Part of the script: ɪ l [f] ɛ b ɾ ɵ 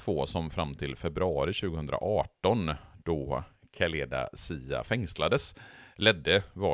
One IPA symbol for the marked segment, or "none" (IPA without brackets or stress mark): f